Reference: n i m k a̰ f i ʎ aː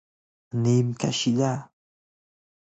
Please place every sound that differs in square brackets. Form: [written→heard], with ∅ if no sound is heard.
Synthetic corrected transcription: n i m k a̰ [f→ʃ] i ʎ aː